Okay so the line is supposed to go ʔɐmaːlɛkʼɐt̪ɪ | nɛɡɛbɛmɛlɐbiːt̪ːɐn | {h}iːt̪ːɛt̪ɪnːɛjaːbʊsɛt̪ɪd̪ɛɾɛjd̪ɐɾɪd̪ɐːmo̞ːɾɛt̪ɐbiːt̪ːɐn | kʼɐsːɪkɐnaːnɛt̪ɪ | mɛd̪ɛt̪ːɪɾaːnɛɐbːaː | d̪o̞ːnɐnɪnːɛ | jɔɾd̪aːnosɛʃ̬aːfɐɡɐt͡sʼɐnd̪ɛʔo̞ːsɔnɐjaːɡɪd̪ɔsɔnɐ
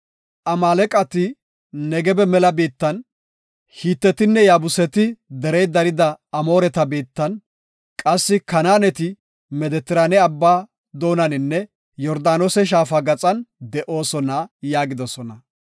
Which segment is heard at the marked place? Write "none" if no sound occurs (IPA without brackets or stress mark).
h